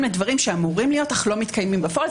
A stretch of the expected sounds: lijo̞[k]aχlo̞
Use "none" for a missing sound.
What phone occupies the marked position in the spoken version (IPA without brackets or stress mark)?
t